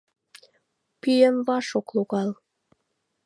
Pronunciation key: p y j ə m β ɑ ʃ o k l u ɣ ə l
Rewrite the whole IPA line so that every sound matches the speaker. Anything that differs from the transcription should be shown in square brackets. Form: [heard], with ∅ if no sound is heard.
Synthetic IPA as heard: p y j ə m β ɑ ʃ o k l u ɣ [ɑ] l